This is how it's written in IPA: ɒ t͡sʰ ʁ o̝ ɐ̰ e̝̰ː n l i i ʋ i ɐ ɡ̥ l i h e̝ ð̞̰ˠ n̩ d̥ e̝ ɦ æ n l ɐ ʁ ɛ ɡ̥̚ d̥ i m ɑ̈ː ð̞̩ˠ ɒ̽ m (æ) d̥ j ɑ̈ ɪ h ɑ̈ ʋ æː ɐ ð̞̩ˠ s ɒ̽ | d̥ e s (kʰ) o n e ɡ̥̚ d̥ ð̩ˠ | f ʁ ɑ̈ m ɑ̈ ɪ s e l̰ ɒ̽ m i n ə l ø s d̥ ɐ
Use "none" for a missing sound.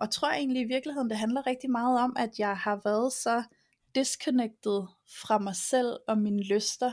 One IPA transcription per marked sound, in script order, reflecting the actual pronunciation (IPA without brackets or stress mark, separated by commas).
æ, kʰ